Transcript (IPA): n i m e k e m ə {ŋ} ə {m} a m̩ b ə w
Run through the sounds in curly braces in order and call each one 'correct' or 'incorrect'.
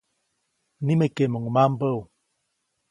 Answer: correct, correct

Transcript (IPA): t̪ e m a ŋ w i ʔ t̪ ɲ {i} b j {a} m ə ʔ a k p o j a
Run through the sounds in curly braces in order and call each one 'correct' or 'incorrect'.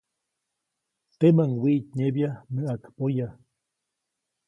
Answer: incorrect, correct

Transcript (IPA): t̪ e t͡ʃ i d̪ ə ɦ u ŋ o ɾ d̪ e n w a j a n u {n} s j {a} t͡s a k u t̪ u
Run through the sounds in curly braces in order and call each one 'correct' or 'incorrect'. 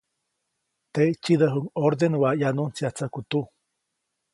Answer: correct, correct

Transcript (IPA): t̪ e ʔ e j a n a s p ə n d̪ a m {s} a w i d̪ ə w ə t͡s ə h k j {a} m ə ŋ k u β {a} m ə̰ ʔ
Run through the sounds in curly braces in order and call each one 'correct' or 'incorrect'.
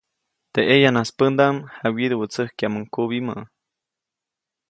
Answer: incorrect, correct, incorrect

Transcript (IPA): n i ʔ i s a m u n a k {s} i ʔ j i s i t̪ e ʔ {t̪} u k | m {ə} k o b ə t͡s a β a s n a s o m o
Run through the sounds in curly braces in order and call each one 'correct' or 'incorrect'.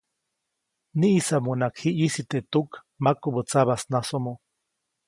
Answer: incorrect, correct, incorrect

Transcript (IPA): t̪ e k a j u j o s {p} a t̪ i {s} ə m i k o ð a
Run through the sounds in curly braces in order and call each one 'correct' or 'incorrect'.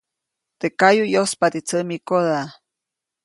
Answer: correct, incorrect

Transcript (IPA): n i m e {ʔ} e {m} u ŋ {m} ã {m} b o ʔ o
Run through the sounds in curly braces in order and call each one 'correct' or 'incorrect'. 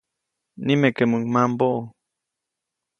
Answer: incorrect, correct, correct, correct

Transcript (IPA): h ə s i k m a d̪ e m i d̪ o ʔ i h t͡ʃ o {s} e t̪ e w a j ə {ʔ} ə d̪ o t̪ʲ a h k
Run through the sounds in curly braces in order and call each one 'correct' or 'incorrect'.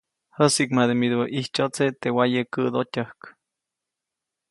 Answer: incorrect, incorrect

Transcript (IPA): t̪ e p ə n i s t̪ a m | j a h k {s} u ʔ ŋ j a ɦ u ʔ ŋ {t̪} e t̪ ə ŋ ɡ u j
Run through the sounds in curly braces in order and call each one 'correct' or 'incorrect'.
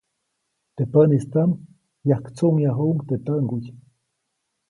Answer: incorrect, correct

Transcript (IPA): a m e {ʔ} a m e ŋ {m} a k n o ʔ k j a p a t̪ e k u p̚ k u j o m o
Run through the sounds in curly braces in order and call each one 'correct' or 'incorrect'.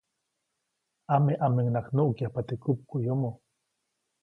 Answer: correct, incorrect

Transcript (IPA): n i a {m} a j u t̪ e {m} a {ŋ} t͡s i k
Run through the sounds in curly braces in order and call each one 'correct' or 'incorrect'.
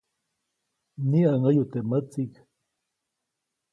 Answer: incorrect, correct, incorrect

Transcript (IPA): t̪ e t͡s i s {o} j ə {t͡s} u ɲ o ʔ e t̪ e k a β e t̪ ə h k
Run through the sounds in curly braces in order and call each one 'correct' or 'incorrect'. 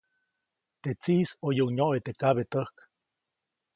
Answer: correct, incorrect

